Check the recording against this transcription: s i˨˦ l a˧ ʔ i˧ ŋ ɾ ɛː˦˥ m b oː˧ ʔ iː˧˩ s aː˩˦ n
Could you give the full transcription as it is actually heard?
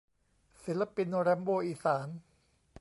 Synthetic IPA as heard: s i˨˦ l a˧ p i˧ n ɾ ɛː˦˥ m b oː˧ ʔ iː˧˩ s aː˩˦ n